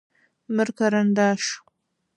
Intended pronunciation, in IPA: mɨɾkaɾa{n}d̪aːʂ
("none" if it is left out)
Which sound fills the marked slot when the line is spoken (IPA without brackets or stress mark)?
n